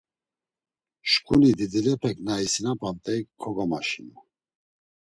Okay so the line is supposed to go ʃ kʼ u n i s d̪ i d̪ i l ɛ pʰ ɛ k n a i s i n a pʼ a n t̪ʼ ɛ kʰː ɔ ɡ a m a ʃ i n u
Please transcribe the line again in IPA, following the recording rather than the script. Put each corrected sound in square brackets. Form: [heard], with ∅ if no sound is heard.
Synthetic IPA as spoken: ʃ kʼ u n i [∅] d̪ i d̪ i l ɛ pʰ ɛ k n a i s i n a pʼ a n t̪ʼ ɛ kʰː ɔ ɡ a m a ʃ i n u